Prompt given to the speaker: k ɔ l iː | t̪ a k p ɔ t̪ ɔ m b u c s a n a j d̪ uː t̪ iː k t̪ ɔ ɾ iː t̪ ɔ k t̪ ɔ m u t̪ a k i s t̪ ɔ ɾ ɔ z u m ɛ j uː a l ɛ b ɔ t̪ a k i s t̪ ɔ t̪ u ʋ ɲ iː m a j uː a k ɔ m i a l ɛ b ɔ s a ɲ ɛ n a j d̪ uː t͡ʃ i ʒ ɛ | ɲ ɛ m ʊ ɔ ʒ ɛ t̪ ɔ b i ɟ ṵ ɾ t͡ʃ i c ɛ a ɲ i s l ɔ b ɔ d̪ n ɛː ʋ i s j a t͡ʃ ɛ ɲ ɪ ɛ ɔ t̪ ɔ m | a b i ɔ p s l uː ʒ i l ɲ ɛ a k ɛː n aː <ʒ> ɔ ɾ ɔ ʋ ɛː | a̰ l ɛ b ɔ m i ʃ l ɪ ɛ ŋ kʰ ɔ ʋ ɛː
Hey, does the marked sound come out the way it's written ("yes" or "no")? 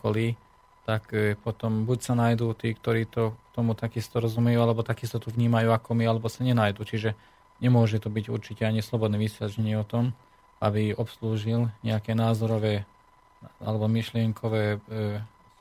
no